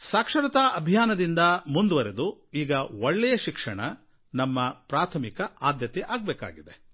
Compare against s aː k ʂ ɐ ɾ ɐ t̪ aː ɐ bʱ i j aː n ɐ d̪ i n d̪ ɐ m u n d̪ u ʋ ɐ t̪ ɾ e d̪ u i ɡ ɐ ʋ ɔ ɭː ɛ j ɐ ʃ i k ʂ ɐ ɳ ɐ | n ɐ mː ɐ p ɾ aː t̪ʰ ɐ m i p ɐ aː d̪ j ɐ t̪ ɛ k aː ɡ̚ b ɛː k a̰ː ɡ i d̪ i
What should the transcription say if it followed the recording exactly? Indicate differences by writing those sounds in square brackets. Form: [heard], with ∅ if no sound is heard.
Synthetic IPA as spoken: s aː k ʂ ɐ ɾ ɐ t̪ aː ɐ bʱ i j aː n ɐ d̪ i n d̪ ɐ m u n d̪ u ʋ ɐ [∅] ɾ e d̪ u [iː] ɡ ɐ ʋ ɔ ɭː ɛ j ɐ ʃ i k ʂ ɐ ɳ ɐ | n ɐ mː ɐ p ɾ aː t̪ʰ ɐ m i [k] ɐ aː d̪ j ɐ t̪ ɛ [ʔ] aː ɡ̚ b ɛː k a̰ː ɡ i d̪ [e]